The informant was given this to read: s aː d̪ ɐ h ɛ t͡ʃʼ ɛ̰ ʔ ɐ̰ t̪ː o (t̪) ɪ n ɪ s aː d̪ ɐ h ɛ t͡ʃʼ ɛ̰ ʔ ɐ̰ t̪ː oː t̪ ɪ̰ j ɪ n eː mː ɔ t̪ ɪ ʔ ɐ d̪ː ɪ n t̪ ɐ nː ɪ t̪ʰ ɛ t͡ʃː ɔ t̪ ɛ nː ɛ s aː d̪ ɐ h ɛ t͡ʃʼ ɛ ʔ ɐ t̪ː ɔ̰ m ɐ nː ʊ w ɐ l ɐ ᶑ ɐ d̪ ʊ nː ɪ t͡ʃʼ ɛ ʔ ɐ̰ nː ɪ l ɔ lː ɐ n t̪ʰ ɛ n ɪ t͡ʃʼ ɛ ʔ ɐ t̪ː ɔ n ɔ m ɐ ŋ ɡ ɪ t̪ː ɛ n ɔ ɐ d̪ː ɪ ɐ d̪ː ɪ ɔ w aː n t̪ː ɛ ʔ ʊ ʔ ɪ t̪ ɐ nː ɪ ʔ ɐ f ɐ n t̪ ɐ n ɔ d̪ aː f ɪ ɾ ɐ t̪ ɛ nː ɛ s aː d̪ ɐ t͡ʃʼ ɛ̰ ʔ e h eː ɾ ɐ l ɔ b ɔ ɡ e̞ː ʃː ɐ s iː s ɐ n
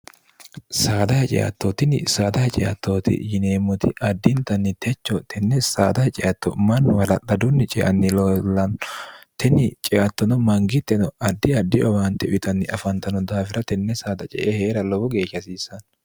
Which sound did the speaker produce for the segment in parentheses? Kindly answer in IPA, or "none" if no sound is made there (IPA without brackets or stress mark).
t̪